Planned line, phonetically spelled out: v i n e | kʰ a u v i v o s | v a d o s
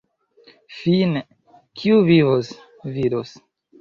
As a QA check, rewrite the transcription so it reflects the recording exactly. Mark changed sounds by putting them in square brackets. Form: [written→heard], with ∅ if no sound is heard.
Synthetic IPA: [v→f] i n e | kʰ [a→i] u v i v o s | v [a→i] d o s